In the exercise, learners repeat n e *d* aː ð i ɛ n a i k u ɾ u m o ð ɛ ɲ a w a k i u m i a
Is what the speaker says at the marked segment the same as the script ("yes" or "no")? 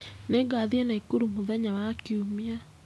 no